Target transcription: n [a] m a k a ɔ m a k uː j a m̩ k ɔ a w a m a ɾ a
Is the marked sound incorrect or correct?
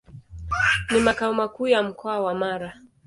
incorrect